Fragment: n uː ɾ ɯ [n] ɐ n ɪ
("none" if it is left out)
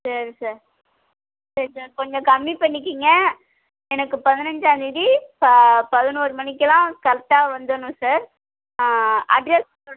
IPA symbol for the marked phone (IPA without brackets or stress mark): m